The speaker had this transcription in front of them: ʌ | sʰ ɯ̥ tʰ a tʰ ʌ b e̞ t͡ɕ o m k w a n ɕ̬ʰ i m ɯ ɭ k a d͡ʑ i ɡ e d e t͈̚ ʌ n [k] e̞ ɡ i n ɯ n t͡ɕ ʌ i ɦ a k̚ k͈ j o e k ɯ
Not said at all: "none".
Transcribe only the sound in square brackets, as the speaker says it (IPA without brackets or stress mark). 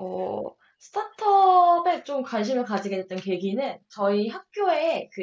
k